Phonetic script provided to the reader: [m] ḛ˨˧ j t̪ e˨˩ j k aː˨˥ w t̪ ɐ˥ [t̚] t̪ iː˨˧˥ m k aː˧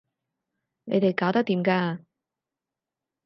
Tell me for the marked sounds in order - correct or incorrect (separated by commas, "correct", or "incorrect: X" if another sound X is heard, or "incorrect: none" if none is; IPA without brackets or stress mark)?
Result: incorrect: n, incorrect: k̚